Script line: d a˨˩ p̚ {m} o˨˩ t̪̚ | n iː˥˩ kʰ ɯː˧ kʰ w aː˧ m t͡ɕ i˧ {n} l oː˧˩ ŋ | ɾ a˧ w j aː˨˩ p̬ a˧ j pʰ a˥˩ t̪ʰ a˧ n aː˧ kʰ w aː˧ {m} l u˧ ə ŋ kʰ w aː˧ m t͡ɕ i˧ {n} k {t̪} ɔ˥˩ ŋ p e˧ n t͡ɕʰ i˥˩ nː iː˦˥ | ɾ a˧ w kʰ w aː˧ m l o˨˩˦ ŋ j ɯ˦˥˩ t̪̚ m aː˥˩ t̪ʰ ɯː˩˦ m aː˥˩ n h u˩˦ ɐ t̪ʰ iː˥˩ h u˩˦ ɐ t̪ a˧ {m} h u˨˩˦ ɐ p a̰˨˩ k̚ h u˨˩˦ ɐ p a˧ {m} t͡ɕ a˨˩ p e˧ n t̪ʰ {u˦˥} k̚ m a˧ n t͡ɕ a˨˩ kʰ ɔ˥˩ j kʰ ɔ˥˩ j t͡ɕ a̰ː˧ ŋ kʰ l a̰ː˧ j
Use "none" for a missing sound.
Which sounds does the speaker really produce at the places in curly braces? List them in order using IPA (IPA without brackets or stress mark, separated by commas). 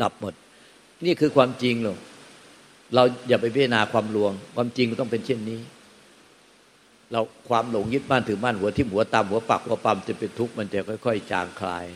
m, ŋ, m, ŋ, t̪, m, m, u˦˥